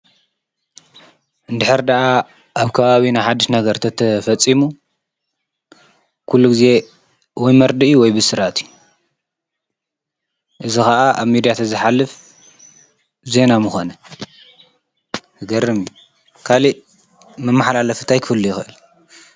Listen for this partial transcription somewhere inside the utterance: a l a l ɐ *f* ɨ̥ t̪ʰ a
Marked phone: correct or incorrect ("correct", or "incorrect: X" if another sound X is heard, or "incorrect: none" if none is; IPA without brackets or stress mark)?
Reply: correct